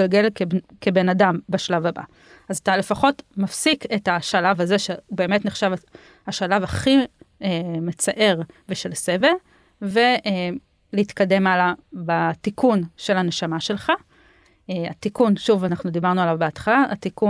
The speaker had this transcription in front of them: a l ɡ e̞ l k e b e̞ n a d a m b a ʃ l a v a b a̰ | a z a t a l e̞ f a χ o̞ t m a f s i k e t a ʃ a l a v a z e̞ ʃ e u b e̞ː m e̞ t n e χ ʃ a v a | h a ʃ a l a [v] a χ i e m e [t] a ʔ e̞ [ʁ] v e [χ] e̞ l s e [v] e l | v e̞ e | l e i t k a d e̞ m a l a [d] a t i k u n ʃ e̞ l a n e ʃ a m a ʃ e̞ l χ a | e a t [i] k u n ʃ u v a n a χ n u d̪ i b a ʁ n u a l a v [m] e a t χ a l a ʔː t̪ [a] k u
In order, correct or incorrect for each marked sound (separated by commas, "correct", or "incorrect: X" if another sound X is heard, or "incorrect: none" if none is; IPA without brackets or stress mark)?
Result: correct, incorrect: t͡s, correct, incorrect: ʃ, correct, incorrect: b, correct, incorrect: b, incorrect: i